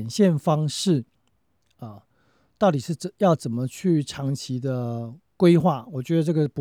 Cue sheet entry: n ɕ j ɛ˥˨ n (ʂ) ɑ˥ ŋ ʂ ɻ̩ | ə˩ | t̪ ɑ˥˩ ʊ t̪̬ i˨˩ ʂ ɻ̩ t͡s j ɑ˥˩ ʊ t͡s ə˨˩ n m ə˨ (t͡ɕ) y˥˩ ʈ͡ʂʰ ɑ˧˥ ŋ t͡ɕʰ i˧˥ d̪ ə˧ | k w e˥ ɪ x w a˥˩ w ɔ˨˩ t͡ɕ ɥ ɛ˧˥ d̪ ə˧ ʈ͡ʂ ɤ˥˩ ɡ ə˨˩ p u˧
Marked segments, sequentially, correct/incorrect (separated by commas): incorrect, incorrect